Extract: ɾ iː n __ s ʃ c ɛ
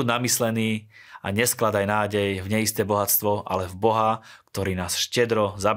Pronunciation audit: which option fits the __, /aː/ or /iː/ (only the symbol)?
aː